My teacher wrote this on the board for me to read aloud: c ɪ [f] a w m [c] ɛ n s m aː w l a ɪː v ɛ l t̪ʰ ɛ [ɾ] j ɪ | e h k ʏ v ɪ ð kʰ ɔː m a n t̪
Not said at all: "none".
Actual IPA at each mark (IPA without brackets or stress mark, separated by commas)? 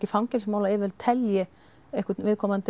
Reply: f, c, l